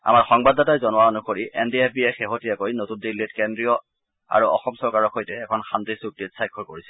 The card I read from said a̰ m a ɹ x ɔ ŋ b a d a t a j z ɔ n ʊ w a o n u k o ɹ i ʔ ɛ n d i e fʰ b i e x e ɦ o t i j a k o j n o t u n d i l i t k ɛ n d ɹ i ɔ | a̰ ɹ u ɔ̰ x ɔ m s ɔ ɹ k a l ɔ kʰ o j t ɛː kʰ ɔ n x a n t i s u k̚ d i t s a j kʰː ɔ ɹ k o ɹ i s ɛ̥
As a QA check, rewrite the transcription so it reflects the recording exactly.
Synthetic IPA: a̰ m a ɹ x ɔ ŋ b a d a t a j z ɔ n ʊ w a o n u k o ɹ i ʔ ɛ n d i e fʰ b i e x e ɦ o t i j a k o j n o t u n d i l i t k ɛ n d ɹ i ɔ | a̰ ɹ u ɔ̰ x ɔ m s ɔ ɹ k a ɹ ɔ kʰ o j t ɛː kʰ ɔ n x a n t i s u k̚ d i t s a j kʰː ɔ ɹ k o ɹ i s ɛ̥